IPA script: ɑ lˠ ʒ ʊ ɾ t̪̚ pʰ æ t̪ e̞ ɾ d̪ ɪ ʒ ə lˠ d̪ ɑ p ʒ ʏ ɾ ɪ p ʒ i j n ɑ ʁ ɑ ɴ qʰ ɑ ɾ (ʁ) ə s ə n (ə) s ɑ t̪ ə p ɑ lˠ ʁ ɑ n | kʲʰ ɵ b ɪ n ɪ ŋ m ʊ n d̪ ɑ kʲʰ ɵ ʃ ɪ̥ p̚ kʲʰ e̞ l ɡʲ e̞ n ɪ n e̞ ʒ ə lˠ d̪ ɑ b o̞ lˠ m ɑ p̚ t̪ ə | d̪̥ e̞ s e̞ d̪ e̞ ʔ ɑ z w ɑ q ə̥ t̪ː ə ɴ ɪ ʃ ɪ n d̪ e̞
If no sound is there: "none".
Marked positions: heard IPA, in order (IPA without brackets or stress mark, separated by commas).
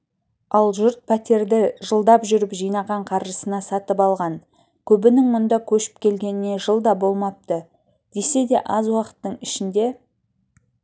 ʒ, ɑ